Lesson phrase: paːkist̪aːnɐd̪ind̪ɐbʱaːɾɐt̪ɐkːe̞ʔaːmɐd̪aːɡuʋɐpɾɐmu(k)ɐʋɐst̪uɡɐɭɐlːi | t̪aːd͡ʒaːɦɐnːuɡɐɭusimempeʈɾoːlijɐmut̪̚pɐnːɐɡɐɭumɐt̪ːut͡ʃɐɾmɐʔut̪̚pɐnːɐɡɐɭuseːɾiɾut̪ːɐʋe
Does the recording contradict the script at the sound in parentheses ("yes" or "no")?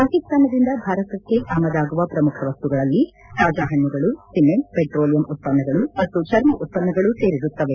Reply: yes